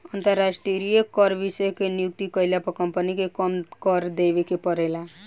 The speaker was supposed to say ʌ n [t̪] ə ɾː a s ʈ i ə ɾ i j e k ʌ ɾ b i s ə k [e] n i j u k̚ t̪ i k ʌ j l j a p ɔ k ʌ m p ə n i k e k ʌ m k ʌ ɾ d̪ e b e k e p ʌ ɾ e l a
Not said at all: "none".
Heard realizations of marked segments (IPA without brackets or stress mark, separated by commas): t̪, e